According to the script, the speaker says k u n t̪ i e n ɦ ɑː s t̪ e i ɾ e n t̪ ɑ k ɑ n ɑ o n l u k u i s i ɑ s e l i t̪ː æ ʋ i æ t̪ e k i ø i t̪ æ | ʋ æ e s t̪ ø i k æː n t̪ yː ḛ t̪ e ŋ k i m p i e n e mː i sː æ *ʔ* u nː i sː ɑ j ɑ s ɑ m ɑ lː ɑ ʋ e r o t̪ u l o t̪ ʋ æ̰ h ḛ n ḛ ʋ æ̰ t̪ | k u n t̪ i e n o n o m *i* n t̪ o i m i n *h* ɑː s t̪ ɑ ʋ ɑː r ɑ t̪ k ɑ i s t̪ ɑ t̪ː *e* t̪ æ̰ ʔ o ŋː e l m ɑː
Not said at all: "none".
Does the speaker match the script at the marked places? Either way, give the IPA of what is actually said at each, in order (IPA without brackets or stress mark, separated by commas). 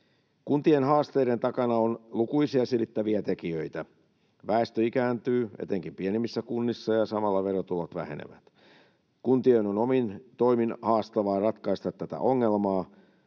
k, i, h, æ